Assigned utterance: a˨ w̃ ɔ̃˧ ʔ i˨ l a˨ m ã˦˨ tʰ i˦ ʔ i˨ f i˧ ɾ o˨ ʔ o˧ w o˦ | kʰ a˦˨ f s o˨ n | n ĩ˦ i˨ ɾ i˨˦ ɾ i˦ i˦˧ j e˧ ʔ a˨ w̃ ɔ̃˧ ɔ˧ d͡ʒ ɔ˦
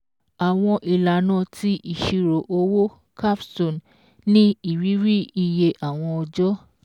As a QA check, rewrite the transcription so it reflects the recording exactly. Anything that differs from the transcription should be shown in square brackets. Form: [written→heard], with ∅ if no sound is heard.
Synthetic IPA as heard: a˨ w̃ ɔ̃˧ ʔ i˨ l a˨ [m→n] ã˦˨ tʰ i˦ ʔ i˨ [f→ʃ] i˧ ɾ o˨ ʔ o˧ w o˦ | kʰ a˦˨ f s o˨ n | n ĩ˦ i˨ ɾ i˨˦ ɾ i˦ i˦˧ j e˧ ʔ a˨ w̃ ɔ̃˧ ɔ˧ d͡ʒ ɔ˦